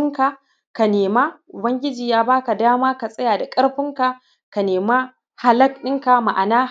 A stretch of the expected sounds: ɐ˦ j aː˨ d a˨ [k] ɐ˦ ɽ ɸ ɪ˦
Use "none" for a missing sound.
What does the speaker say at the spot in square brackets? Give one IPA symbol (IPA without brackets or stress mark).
kʼ